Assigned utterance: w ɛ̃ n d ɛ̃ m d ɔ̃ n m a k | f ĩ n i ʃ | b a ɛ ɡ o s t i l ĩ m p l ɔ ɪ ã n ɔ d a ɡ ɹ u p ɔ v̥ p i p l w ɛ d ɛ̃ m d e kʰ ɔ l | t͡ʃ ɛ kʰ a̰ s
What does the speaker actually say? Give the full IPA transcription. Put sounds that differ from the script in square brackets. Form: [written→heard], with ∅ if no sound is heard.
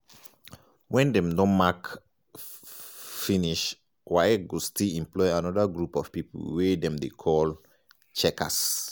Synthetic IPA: w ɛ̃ n d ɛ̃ m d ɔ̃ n m a k | f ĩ n i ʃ | [b→w] a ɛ ɡ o s t i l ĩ m p l ɔ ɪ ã n ɔ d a ɡ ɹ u p ɔ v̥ p i p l w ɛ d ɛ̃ m d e kʰ ɔ l | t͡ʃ ɛ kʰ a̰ s

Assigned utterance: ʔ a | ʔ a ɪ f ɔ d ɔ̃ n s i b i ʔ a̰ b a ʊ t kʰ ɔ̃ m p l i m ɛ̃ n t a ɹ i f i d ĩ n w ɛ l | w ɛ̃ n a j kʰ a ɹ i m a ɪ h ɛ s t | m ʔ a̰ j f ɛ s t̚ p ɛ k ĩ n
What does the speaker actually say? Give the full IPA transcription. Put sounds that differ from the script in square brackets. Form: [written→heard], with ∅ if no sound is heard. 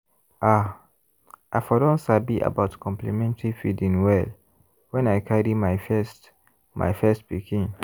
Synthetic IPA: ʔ a | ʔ a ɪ f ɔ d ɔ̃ n s [i→a] b i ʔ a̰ b a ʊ t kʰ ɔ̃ m p l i m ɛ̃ n t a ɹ i f i d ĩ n w ɛ l | w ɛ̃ n a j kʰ a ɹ i m a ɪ [h→f] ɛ s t | m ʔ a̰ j f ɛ s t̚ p [ɛ→i] k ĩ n

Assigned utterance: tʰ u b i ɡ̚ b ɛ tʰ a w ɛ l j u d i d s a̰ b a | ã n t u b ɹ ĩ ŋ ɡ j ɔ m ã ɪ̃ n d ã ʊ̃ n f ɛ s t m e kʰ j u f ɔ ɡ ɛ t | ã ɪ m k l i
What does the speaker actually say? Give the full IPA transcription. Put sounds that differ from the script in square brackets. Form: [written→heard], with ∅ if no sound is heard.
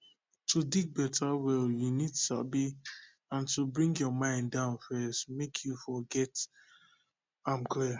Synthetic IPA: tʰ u [b→d] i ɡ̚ b ɛ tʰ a w ɛ l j u [d→n] i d s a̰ b [a→i] | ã n t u b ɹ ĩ ŋ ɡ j ɔ m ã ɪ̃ n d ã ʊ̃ n f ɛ s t m e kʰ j u f ɔ ɡ ɛ t | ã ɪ m k l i

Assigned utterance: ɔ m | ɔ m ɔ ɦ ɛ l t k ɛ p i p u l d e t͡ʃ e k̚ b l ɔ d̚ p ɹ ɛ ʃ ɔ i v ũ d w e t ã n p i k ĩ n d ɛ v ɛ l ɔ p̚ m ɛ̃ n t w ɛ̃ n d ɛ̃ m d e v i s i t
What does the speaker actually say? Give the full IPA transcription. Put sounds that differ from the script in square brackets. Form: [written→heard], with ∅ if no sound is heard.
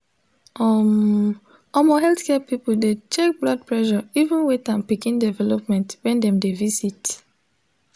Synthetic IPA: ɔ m | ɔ m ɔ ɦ ɛ l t k ɛ p i p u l d e t͡ʃ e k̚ b l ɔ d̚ p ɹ ɛ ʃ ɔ i v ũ [d→n] w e t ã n p i k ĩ n d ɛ v ɛ l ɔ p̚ m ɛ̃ n t w ɛ̃ n d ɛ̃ m d e v i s i t

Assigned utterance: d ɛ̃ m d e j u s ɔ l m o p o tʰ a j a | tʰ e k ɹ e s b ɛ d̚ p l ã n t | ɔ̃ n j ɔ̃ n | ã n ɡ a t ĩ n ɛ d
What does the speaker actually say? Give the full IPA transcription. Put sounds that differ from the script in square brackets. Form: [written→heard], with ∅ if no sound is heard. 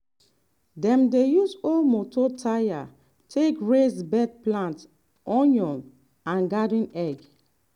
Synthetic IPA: d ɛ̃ m d e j u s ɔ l m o [p→t] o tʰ a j a | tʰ e k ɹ e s b ɛ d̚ p l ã n t | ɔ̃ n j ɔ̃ n | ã n ɡ a [t→d] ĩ n ɛ [d→ɡ]

